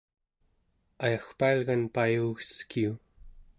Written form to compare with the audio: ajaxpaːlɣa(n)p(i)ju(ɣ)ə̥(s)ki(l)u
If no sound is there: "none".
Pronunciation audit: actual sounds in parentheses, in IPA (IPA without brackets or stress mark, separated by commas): n, a, ɣ, s, none